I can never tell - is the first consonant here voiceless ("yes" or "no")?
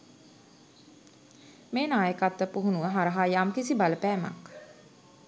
no